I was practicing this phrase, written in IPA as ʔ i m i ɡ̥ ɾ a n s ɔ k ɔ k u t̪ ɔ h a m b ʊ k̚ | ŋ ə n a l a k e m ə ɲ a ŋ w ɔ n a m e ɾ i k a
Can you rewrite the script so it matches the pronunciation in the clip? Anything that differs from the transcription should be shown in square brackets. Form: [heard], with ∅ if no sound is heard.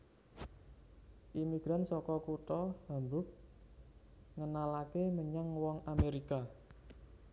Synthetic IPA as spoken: ʔ i m i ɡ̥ ɾ a n s ɔ k ɔ k u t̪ ɔ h a m b ʊ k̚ | ŋ ə n a l a k e m ə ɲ a ŋ w ɔ [ŋ] a m e ɾ i k a